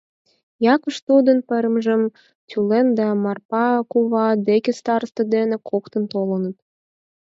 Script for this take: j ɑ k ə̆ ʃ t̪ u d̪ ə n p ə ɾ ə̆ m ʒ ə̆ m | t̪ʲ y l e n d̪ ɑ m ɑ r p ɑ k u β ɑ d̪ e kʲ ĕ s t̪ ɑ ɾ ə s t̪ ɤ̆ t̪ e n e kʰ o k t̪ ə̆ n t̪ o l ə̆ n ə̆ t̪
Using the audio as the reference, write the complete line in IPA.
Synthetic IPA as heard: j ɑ k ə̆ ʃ t̪ u d̪ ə n p ə ɾ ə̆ m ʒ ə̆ m | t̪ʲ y l e n d̪ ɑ m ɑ r p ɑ k u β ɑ d̪ e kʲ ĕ s t̪ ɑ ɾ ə s t̪ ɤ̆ d̪ e n e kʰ o k t̪ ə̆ n t̪ o l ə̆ n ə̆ t̪